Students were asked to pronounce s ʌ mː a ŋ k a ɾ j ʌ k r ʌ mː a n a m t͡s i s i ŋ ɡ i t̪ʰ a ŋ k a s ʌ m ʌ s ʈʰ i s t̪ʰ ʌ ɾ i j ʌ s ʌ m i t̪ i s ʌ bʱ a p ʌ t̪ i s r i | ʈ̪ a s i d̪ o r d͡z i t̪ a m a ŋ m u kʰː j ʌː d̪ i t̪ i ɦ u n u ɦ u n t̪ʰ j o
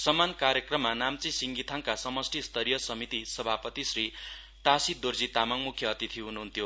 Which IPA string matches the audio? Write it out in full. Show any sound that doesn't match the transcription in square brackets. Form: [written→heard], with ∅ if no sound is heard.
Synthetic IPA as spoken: s ʌ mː a [ŋ→n] k a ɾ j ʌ k r ʌ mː a n a m t͡s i s i ŋ ɡ i t̪ʰ a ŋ k a s ʌ m ʌ s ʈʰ i s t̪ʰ ʌ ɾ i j ʌ s ʌ m i t̪ i s ʌ bʱ a p ʌ t̪ i s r i | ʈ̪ a s i d̪ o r d͡z i t̪ a m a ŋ m u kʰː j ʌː [d̪→t̪] i [t̪→t̪ʰ] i ɦ u n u ɦ u n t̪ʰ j o